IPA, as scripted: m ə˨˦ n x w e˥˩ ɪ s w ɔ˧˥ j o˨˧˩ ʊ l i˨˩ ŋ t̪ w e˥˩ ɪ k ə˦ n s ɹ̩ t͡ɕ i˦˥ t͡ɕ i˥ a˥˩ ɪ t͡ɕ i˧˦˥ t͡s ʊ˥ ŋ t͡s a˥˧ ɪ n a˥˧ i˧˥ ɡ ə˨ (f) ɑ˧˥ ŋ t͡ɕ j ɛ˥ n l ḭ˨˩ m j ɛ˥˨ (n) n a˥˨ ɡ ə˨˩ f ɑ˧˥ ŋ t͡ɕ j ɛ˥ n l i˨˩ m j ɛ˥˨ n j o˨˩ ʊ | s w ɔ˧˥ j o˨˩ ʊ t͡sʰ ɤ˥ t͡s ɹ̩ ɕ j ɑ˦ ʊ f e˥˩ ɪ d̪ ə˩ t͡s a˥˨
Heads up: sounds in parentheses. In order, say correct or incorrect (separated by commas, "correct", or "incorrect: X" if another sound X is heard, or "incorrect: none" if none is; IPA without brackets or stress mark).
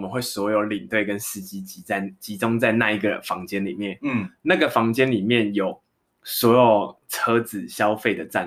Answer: correct, correct